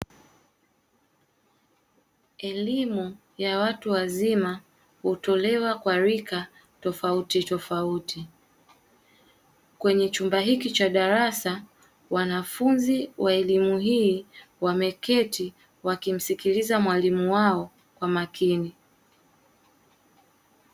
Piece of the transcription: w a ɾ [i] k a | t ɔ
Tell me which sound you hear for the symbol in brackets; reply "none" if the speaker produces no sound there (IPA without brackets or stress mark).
i